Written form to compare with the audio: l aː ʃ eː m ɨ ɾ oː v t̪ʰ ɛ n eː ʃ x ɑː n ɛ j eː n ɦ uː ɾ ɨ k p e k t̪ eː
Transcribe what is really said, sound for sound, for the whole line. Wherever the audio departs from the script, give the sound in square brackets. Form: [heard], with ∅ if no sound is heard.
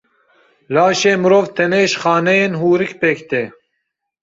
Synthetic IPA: l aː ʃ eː m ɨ ɾ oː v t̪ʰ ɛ n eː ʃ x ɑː n ɛ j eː n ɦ uː ɾ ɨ k p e k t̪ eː